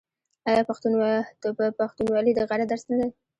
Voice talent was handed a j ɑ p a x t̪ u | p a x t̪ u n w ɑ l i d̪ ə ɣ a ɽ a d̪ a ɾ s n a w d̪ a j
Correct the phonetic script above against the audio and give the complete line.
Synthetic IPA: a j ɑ p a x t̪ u | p a x t̪ u n w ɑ l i d̪ ə ɣ a ɽ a d̪ a ɾ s n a d̪ a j